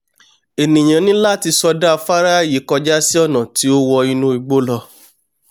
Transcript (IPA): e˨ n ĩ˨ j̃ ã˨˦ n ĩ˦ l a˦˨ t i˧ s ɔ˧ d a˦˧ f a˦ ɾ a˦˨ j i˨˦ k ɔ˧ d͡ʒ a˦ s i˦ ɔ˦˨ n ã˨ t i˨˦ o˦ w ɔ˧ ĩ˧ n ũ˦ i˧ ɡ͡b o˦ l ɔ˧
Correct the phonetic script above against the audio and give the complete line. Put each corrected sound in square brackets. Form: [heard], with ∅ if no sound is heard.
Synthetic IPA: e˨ n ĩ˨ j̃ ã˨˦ n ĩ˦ l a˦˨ t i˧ s ɔ˧ d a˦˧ f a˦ ɾ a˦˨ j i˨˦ k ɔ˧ d͡ʒ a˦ s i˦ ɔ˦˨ n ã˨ t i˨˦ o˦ w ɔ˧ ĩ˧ n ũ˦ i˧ ɡ͡b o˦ l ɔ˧